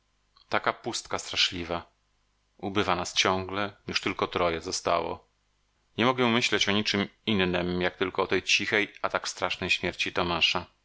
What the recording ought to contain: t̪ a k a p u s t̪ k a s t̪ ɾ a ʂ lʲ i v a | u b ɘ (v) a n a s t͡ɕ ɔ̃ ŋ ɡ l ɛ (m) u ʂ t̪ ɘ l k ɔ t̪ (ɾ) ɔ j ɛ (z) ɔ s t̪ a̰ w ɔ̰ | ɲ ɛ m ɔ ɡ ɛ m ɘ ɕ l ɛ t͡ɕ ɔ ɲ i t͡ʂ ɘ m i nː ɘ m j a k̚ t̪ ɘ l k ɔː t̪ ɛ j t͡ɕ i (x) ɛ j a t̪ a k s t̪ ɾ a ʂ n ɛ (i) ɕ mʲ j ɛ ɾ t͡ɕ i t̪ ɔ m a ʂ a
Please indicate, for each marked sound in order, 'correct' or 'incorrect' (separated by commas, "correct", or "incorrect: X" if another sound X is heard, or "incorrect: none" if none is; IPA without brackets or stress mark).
correct, incorrect: ɲ, correct, correct, correct, incorrect: j